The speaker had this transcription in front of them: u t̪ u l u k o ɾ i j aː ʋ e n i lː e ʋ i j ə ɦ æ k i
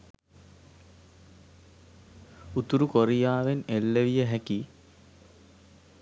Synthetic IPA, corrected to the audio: u t̪ u ɾ u k o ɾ i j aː ʋ e n e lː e ʋ i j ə ɦ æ k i